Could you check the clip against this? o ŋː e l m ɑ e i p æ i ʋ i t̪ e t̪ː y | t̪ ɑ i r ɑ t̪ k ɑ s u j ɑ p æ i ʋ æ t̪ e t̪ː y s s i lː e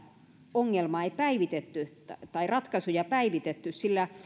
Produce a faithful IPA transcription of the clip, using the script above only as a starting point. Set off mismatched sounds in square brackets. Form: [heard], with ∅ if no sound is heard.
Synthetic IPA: o ŋː e l m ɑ e i p æ i ʋ i t̪ e t̪ː y | t̪ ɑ i r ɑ t̪ k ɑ s u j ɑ p æ i ʋ [i] t̪ e t̪ː y s s i lː [æ]